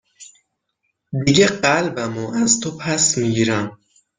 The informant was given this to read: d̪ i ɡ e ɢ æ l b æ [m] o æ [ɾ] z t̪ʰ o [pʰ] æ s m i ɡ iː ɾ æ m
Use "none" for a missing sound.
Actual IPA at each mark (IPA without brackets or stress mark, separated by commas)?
m, none, pʰ